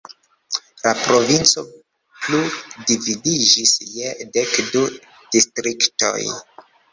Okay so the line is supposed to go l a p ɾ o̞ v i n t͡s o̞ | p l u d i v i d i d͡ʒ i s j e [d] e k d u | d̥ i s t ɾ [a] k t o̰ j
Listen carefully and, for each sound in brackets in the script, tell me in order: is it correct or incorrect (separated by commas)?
correct, incorrect